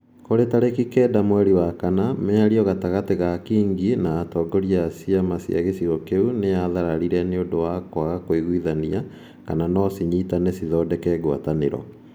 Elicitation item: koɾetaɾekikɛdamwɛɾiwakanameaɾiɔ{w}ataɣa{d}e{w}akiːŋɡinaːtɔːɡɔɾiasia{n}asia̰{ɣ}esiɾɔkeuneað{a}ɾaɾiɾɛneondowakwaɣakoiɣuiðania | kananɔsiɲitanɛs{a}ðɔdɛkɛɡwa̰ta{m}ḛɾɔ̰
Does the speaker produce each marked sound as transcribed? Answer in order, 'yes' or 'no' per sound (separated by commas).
no, no, no, no, yes, yes, no, no